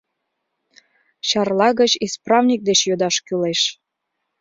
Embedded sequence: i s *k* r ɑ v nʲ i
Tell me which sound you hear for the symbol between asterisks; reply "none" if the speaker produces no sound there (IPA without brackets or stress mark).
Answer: p